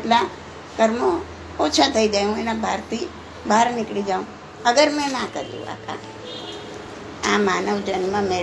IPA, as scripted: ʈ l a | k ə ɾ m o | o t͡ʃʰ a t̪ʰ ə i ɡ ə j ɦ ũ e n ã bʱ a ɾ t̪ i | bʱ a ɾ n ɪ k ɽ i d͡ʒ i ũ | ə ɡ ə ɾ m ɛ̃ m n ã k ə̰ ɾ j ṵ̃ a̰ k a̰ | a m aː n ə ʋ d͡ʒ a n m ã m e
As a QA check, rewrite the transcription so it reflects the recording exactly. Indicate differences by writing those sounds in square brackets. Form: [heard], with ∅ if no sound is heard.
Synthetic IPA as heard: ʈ l a | k ə ɾ m o | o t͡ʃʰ a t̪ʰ ə i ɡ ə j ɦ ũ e n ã bʱ a ɾ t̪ i | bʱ a ɾ n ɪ k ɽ i d͡ʒ [a] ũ | ə ɡ ə ɾ m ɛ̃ [∅] n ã k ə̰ ɾ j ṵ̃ a̰ k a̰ | a m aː n ə ʋ d͡ʒ [ə] n m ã m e